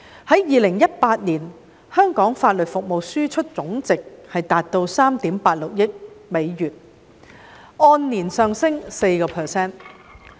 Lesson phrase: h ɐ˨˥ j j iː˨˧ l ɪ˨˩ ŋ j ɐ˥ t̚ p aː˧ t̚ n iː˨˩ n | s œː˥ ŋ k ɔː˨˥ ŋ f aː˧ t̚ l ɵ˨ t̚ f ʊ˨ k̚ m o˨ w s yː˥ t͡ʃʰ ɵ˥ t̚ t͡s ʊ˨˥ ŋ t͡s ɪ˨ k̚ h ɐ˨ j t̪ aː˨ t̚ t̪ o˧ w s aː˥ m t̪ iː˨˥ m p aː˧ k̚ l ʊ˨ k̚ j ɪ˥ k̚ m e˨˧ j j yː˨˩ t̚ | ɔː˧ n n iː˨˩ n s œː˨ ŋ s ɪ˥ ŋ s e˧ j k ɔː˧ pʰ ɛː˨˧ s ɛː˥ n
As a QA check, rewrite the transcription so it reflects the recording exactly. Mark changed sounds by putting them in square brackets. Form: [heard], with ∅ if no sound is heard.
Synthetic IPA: h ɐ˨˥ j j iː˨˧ l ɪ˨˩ ŋ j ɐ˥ t̚ p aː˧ t̚ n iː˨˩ n | [h] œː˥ ŋ k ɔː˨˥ ŋ f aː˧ t̚ l ɵ˨ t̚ f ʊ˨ k̚ m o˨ w s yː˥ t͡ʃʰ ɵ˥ t̚ t͡s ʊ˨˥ ŋ t͡s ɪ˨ k̚ h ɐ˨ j t̪ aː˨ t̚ t̪ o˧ w s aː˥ m t̪ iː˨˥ m p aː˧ [t̚] l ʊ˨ k̚ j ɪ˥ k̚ m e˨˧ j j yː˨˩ t̚ | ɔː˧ n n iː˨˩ n s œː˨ ŋ s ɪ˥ ŋ s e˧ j k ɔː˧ pʰ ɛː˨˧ s ɛː˥ n

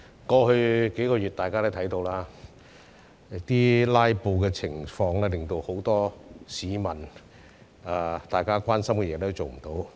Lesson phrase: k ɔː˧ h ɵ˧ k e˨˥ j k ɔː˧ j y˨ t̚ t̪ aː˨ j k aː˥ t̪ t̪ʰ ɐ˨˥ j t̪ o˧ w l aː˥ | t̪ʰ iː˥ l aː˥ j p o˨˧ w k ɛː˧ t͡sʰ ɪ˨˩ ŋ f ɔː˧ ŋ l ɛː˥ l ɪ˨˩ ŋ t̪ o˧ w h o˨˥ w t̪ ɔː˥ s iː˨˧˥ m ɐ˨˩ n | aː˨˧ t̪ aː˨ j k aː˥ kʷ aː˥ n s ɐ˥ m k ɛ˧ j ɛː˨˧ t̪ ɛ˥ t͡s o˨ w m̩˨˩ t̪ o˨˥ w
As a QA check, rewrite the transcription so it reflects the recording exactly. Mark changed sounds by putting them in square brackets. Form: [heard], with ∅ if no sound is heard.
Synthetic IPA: k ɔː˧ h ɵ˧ k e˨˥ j k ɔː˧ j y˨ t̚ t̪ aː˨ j k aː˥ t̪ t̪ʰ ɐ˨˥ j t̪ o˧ w l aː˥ | [t̪] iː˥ l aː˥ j p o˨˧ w k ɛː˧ t͡sʰ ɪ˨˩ ŋ f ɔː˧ ŋ l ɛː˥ l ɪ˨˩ ŋ t̪ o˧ w h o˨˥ w t̪ ɔː˥ s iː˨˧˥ m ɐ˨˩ n | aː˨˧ t̪ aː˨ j k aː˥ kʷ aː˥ n s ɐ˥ m k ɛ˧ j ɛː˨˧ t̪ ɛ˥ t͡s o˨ w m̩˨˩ t̪ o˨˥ w

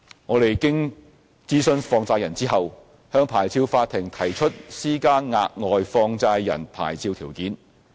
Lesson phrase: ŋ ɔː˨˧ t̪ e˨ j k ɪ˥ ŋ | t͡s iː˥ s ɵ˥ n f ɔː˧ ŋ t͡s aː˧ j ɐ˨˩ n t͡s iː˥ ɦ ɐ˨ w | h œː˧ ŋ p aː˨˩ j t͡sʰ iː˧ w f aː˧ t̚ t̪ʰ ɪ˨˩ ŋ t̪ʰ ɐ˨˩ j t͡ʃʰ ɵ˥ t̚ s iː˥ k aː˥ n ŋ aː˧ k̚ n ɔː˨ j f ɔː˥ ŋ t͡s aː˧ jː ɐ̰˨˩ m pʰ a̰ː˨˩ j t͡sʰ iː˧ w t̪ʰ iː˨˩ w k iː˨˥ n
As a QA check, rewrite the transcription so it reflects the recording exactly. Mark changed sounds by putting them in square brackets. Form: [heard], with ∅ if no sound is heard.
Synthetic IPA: ŋ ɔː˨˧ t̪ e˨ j k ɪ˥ ŋ | t͡s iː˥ s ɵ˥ n f ɔː˧ ŋ t͡s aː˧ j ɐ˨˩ n t͡s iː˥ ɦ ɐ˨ w | h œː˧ ŋ [pʰ] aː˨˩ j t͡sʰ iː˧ w f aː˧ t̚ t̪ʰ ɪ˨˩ ŋ t̪ʰ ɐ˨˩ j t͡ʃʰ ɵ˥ t̚ s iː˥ k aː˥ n ŋ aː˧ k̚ [ŋ] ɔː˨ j f [ɔː˧] ŋ t͡s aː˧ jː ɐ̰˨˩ [n] pʰ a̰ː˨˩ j t͡sʰ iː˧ w t̪ʰ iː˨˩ w k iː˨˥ n

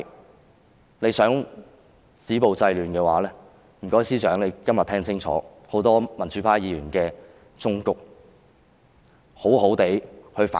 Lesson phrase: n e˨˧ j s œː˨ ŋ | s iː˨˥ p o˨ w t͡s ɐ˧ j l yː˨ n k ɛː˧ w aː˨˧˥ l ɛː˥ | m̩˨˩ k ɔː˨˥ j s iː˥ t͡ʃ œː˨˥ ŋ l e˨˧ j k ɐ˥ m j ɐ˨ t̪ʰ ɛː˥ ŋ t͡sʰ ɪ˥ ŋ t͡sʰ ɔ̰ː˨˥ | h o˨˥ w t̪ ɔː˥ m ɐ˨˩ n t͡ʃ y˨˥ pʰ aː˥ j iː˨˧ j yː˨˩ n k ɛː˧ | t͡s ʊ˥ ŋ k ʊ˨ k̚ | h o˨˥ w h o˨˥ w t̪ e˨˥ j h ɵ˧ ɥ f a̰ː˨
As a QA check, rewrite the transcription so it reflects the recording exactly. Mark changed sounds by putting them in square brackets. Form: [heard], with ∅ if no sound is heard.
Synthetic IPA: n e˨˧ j s [œː˨˥] ŋ | s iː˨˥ p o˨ w t͡s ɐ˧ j l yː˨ n k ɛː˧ w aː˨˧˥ l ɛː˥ | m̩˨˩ k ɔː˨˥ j s iː˥ t͡ʃ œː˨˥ ŋ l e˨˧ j k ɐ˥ m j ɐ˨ t̪ʰ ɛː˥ ŋ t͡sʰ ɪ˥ ŋ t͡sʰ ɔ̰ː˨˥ | h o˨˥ w t̪ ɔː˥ m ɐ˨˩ n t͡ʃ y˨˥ pʰ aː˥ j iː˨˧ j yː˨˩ n k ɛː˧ | t͡s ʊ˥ ŋ k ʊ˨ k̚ | h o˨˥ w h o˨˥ w t̪ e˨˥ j h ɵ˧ ɥ f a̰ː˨

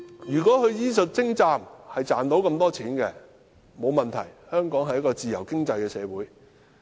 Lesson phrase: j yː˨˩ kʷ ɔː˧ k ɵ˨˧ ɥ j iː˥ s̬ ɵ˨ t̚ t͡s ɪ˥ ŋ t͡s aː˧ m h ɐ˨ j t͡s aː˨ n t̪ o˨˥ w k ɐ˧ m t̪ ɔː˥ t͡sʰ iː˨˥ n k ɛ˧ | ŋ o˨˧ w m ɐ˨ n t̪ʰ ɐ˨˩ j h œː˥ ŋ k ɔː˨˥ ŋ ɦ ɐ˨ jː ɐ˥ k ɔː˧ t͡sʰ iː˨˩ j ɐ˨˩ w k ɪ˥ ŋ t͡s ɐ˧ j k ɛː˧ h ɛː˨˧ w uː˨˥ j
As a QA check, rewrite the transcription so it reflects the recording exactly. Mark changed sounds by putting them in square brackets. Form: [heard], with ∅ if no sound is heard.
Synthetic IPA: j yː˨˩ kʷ [ɔː˨˥] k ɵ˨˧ ɥ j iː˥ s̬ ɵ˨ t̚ t͡s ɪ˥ ŋ t͡s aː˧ m h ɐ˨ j t͡s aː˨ n t̪ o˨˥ w k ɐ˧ m t̪ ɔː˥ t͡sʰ iː˨˥ n k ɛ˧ | [m] o˨˧ w m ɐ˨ n t̪ʰ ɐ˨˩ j h œː˥ ŋ k ɔː˨˥ ŋ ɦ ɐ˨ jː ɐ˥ k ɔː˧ [t͡s] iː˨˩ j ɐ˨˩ w k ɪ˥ ŋ t͡s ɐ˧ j k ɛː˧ [s] ɛː˨˧ w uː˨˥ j

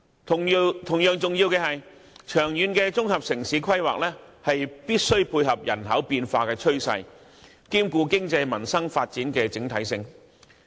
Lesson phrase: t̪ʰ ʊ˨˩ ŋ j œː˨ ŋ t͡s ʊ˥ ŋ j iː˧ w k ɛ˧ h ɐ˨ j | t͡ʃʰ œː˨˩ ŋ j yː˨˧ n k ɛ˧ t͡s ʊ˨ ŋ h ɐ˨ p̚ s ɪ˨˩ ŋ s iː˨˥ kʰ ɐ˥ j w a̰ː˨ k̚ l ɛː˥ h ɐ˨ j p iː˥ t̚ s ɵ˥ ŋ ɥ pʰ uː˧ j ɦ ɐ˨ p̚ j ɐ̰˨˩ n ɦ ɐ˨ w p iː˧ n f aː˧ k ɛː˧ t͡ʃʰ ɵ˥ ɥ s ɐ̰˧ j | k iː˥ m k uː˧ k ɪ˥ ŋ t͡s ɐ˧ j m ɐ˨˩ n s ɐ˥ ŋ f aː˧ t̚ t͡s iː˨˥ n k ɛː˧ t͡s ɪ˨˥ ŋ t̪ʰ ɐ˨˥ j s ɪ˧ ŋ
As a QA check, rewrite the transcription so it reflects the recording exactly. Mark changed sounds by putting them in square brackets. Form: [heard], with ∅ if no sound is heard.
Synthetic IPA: t̪ʰ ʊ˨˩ ŋ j œː˨ ŋ t͡s [ʊ˨] ŋ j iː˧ w k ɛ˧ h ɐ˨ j | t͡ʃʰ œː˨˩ ŋ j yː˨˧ n k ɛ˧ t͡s [ʊ˥] ŋ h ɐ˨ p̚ s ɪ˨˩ ŋ s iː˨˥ kʰ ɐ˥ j w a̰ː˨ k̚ l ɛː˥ h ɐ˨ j p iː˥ t̚ s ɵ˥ [∅] ɥ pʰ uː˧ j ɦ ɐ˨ p̚ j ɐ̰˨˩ n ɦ [ɐ˨˥] w p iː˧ n f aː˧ k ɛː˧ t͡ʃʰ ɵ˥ ɥ s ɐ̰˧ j | k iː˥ m k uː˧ k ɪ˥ ŋ t͡s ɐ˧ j m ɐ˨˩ n s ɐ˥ ŋ f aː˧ t̚ t͡s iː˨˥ n k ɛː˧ t͡s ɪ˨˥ ŋ t̪ʰ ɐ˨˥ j s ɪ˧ ŋ

